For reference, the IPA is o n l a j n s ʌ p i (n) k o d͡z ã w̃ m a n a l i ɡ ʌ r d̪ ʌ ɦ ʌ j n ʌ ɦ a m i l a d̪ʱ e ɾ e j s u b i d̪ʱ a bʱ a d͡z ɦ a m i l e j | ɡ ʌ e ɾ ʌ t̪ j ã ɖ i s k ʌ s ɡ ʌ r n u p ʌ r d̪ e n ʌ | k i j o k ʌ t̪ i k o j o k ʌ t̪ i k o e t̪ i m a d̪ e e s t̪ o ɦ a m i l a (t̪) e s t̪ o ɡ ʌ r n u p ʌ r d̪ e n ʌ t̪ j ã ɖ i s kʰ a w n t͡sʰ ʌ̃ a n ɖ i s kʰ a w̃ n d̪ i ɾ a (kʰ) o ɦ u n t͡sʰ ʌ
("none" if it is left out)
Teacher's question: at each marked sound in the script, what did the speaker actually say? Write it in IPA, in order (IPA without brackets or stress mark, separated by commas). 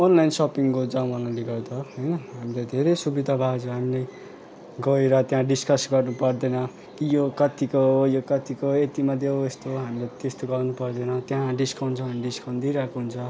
ŋ, t̪, k